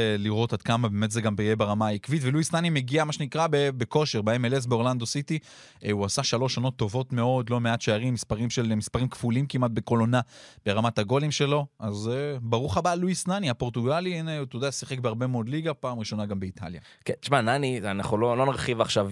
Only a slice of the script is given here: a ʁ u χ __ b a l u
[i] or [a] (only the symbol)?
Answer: a